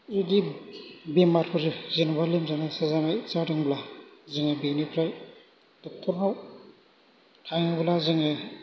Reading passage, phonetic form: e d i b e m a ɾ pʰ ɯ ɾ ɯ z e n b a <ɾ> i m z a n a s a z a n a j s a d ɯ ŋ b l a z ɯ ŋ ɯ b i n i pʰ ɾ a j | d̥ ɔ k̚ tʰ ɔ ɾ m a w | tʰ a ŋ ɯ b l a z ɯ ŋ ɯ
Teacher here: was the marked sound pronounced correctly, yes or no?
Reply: no